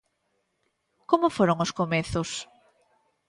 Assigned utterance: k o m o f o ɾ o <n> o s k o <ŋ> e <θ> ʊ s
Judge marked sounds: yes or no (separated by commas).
no, no, yes